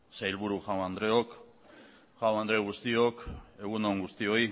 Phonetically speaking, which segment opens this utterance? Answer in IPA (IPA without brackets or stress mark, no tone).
s